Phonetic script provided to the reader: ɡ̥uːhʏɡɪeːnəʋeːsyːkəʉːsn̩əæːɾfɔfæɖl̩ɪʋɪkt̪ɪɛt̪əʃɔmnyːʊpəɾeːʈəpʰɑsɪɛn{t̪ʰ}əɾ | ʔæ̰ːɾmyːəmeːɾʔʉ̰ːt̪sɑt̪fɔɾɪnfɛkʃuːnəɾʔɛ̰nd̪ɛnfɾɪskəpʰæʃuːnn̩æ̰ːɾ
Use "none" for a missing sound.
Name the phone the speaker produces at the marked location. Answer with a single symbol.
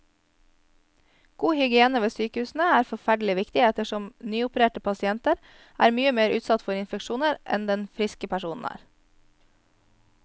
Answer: t̪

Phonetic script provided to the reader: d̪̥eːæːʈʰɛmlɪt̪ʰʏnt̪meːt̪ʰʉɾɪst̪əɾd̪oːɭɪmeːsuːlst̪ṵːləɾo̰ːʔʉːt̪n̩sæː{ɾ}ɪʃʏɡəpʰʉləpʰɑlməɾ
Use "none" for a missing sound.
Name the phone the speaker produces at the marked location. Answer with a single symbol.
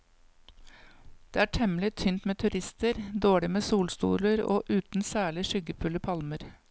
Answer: ɭ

